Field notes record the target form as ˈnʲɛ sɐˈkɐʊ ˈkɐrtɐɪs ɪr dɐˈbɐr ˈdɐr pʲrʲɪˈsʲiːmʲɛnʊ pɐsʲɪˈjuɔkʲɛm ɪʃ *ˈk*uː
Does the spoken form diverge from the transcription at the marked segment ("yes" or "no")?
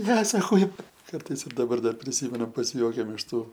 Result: yes